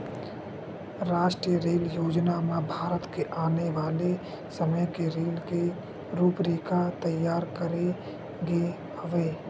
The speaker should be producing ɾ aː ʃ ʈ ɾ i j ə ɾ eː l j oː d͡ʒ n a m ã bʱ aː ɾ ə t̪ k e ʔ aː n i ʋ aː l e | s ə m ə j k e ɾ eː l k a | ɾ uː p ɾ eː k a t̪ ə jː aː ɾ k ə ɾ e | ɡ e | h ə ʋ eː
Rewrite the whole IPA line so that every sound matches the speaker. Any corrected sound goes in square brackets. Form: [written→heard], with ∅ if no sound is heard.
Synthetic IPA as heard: ɾ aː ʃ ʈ ɾ i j ə ɾ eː l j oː d͡ʒ n a m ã bʱ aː ɾ ə t̪ k e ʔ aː n [i→e] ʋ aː l e | s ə m ə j k e ɾ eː l k [a→e] | ɾ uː p ɾ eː k a t̪ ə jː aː ɾ k ə ɾ e | ɡ e | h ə ʋ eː